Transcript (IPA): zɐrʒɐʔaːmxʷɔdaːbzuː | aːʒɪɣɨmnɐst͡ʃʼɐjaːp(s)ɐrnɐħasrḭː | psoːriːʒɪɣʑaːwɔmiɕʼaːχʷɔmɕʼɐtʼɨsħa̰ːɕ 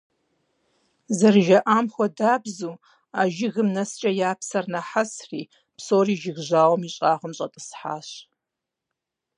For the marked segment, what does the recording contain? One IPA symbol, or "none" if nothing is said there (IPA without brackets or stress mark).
s